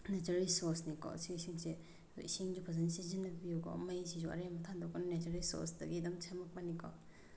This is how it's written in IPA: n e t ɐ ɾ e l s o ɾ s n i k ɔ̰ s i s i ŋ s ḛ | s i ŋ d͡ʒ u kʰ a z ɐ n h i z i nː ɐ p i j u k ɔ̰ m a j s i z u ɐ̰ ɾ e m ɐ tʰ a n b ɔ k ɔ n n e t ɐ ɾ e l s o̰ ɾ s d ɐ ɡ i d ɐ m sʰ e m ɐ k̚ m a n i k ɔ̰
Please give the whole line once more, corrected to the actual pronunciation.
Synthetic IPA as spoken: n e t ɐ ɾ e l s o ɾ s n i k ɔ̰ s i s i ŋ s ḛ | s i ŋ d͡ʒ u pʰ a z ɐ n s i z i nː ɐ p i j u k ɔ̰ m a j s i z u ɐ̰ ɾ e m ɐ tʰ a n d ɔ k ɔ n n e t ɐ ɾ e l s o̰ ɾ s d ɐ ɡ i d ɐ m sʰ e m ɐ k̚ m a n i k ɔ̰